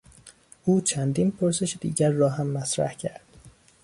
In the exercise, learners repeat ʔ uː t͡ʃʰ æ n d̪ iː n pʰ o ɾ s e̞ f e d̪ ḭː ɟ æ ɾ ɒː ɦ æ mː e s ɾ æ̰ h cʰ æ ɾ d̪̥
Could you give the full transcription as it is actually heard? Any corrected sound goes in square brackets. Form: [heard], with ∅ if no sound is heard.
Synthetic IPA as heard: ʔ uː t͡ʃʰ æ n d̪ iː n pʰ o ɾ s e̞ [ʃ] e d̪ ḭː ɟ æ [ɾː] ɒː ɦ æ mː [æ] s ɾ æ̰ h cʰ æ ɾ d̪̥